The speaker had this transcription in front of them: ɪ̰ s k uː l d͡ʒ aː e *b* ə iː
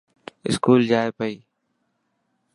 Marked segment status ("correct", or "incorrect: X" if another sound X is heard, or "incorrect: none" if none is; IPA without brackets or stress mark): incorrect: p